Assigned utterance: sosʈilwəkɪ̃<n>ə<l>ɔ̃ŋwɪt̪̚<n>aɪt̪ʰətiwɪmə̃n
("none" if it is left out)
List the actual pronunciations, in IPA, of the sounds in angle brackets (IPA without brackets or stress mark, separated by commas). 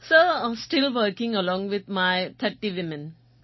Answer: ŋ, l, m